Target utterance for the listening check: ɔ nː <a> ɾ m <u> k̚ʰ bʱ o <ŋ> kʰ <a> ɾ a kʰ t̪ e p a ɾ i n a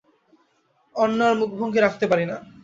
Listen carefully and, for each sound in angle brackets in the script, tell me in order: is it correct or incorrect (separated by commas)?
correct, correct, correct, incorrect